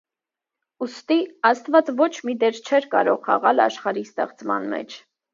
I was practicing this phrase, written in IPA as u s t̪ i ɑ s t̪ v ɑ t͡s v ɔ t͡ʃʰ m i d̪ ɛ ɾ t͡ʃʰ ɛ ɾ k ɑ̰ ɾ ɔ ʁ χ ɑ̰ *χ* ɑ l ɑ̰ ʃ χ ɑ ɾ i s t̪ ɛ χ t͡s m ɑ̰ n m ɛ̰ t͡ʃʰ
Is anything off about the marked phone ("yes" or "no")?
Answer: yes